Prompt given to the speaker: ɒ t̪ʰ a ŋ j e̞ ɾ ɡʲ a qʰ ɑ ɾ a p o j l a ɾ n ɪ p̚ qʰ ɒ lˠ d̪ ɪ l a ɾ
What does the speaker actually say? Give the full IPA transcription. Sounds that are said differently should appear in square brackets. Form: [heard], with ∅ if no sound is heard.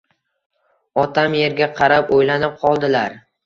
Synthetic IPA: ɒ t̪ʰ a [m] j e̞ ɾ ɡʲ a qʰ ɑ ɾ a p o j l a [∅] n ɪ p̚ qʰ ɒ lˠ d̪ ɪ l a ɾ